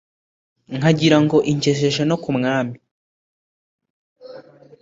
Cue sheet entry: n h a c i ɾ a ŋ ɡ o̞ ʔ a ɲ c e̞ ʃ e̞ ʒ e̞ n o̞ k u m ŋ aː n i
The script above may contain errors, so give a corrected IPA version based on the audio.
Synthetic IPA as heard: ŋ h a ɟ i ɾ a ŋ ɡ o̞ ʔ i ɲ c e̞ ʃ e̞ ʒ e̞ n o̞ k u m ŋ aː m i